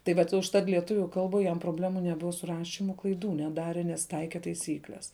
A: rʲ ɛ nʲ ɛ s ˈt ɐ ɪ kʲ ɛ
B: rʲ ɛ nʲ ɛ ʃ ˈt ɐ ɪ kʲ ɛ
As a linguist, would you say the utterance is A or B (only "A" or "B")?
A